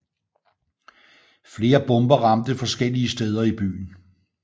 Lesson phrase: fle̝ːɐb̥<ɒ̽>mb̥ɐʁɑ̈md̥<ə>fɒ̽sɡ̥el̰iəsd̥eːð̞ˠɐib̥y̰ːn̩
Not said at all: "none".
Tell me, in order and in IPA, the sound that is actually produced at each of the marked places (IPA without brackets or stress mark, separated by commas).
ɔ̽, ə